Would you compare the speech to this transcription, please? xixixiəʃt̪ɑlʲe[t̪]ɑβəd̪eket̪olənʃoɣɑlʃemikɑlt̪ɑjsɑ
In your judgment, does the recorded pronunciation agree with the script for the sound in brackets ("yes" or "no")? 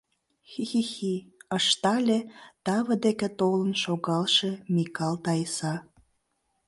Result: yes